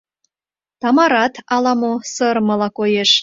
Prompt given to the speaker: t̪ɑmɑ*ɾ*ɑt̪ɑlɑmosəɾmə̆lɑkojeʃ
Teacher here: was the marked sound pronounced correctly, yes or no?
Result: yes